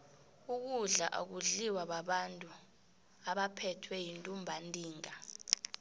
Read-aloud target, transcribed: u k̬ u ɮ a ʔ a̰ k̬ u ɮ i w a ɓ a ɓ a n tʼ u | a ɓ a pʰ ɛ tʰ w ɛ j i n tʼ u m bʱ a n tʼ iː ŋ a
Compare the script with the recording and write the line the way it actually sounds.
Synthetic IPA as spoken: u k̬ u ɮ a ʔ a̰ k̬ u ɮ i w a ɓ a ɓ a n tʼ u | a ɓ a pʰ ɛ tʰ w ɛ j i n tʼ u m bʱ a n tʼ iː ŋ a